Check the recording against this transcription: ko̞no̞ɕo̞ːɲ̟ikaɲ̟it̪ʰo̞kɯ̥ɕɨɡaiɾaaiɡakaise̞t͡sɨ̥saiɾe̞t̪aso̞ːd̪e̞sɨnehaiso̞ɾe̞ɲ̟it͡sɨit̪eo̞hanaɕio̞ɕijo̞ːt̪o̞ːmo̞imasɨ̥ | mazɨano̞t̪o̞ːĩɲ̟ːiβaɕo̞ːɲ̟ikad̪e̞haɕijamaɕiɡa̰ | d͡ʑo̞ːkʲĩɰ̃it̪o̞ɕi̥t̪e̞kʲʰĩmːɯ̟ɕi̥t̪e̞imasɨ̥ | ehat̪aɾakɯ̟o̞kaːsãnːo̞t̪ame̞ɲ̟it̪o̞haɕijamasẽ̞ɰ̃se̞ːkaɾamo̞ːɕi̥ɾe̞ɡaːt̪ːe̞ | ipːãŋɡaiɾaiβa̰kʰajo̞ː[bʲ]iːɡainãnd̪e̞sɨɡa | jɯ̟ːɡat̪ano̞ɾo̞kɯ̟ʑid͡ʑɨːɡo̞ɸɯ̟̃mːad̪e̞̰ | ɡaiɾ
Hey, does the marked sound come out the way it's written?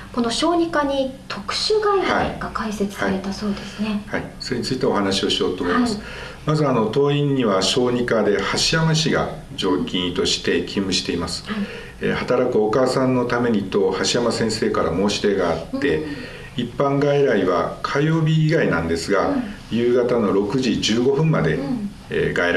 yes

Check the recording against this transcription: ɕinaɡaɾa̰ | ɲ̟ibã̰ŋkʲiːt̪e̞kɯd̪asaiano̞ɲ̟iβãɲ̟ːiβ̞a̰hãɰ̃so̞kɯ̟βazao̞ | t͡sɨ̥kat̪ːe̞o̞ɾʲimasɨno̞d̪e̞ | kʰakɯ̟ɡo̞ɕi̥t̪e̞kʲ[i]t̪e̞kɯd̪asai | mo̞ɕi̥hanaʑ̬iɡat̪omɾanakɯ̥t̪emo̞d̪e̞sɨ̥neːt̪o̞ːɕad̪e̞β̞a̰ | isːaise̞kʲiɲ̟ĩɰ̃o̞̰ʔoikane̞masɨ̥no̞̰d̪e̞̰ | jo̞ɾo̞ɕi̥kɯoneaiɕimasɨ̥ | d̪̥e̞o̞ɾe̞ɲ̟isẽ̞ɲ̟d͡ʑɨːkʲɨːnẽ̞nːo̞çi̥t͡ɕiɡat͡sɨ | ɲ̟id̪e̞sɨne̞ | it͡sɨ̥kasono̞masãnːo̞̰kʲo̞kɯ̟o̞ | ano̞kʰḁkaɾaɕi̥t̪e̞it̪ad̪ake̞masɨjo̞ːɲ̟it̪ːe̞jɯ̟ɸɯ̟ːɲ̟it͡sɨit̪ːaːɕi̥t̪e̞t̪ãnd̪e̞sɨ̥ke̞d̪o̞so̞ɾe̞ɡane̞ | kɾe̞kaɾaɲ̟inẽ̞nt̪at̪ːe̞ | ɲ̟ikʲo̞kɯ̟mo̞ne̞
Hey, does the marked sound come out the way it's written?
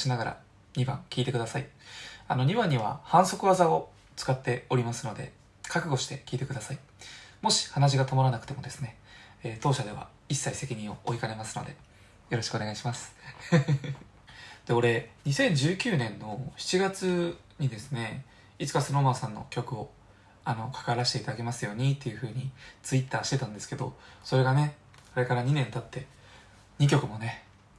no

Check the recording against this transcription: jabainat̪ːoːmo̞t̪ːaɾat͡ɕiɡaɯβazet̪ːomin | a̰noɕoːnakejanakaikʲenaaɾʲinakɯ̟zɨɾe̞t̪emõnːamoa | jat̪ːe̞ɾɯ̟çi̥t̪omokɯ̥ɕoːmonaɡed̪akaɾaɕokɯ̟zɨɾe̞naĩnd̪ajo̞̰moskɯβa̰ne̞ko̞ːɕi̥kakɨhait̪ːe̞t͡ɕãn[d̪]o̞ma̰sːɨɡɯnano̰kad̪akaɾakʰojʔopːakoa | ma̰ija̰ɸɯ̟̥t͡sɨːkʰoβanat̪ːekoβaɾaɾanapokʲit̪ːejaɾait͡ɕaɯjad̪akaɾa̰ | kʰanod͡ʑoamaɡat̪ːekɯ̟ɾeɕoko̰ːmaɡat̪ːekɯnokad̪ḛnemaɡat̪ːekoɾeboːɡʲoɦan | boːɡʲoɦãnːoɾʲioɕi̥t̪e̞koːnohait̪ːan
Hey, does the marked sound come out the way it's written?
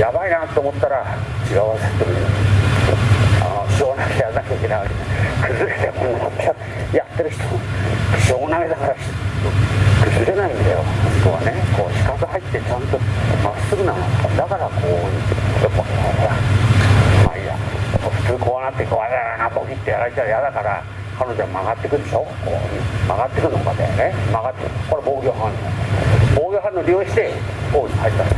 no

